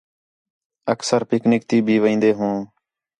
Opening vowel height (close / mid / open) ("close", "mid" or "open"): mid